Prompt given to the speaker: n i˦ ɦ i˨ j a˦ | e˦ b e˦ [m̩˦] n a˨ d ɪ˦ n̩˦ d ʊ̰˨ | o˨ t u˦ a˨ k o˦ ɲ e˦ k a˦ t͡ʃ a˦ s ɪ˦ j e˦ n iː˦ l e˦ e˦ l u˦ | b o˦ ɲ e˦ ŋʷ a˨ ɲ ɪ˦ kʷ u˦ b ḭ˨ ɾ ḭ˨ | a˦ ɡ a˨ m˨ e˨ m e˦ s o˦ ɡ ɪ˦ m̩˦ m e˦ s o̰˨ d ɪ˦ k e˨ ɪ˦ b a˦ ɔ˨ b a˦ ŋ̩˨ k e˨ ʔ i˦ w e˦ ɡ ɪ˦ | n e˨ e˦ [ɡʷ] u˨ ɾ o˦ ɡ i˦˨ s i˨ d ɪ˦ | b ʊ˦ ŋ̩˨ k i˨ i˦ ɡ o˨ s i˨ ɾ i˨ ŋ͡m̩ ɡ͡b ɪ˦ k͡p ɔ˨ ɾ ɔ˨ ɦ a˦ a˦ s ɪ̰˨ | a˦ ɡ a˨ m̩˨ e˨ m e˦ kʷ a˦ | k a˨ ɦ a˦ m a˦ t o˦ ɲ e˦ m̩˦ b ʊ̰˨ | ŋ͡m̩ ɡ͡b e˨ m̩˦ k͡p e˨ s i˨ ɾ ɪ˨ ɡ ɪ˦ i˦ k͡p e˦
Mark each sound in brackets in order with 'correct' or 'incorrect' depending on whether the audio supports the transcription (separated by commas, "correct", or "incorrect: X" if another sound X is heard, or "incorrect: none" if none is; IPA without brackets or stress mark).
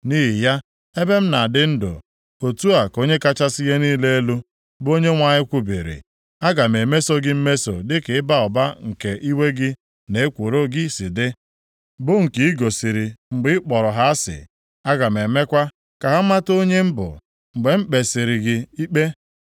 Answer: correct, incorrect: kʷ